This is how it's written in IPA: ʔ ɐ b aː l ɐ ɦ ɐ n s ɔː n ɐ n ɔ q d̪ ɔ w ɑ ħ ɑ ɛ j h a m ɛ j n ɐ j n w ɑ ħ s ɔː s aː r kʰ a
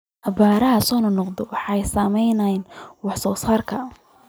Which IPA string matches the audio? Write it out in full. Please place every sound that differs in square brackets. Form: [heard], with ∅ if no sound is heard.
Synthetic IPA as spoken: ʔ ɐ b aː [ɾ] ɐ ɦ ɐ [∅] s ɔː n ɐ n ɔ q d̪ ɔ w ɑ ħ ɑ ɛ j [s] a m ɛ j n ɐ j n w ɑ ħ s ɔː s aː r kʰ [ɐ]